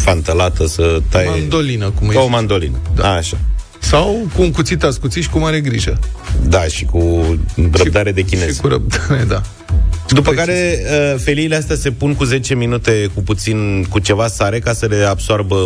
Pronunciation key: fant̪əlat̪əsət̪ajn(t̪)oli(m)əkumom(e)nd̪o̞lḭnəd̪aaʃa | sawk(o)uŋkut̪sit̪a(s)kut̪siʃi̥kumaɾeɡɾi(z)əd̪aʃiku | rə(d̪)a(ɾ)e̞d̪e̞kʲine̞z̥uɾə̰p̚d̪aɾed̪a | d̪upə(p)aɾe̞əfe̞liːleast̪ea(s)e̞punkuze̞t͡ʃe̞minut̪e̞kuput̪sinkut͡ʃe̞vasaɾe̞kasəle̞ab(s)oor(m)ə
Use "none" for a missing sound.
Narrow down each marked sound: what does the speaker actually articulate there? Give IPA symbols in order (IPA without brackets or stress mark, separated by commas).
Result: d̪, n, a, u, s, ʒ, d̪, ɾ, k, s, s, b